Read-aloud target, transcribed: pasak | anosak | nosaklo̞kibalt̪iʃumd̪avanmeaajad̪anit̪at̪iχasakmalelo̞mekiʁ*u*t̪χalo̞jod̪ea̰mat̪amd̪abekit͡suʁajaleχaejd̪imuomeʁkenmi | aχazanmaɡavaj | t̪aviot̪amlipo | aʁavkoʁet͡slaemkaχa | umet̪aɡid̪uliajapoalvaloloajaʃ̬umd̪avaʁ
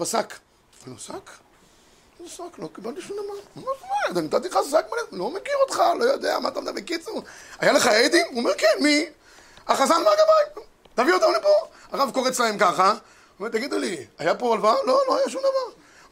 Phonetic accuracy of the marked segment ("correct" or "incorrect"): incorrect